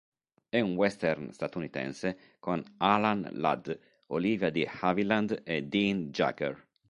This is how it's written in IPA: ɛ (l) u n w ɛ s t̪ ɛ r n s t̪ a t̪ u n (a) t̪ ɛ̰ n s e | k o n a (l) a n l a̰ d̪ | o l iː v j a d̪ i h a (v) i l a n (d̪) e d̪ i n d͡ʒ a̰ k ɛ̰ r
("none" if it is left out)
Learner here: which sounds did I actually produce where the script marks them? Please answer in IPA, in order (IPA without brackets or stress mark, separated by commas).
none, i, l, v, d̪